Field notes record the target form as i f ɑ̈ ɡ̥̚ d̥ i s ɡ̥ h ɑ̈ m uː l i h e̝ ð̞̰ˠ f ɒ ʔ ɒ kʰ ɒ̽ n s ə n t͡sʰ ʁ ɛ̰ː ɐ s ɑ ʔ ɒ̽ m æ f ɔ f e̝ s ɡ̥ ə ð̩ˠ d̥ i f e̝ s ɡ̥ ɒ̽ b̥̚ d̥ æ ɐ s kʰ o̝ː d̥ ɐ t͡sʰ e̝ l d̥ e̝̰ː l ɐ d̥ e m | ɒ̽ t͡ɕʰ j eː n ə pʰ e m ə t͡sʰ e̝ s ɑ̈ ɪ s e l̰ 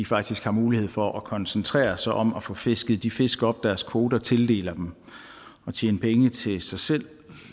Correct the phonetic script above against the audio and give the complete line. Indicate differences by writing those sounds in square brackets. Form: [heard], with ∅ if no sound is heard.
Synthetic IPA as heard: i f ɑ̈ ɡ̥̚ d̥ i s ɡ̥ h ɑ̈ m uː l i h e̝ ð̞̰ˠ f ɒ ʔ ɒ kʰ ɒ̽ n s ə n t͡sʰ ʁ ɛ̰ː ɐ s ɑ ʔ ɒ̽ m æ f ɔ f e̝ s ɡ̥ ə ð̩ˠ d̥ i f e̝ s ɡ̥ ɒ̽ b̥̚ d̥ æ ɐ s kʰ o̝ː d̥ ɐ t͡sʰ e̝ l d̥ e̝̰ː l ɐ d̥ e m | ɒ̽ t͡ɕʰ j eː n ə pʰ e [ŋ] ə t͡sʰ e̝ s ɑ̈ ɪ s e l̰